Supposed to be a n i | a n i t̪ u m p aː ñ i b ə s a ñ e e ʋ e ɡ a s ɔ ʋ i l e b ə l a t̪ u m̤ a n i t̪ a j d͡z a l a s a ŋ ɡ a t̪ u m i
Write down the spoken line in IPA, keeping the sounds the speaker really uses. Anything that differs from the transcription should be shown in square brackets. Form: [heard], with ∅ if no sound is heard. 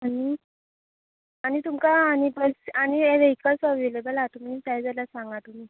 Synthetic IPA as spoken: a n i | a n i t̪ u m [k] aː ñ i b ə s a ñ [i] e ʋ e [k] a s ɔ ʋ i l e b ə l a t̪ u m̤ [i] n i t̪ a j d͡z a l a s a ŋ ɡ a t̪ u m i